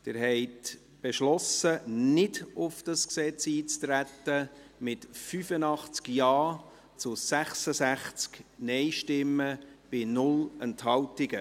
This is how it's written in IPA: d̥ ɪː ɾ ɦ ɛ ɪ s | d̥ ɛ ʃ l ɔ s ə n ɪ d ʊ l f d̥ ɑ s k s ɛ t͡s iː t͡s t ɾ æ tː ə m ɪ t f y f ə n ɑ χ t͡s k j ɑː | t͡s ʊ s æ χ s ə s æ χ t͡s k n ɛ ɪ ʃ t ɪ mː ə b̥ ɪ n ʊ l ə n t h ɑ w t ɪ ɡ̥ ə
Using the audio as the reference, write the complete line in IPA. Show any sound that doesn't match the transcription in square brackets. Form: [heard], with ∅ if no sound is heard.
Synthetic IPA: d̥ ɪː ɾ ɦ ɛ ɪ [t] | [b̥] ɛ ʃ l ɔ s ə n ɪ d ʊ [∅] f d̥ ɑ s k s ɛ t͡s iː t͡s t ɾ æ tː ə m ɪ t f y f ə n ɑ χ t͡s k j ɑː | t͡s ʊ s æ χ s ə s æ χ t͡s k n ɛ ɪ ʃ t ɪ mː ə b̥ ɪ n ʊ l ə n t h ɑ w t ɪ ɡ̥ ə